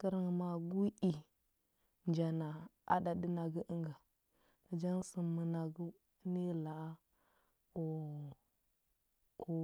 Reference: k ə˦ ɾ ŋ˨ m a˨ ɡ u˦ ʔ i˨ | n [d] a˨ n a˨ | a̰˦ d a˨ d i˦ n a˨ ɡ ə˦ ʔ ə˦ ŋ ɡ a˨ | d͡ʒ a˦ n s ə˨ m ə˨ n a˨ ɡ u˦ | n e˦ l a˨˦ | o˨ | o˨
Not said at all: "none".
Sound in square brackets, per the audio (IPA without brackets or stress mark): d͡ʒ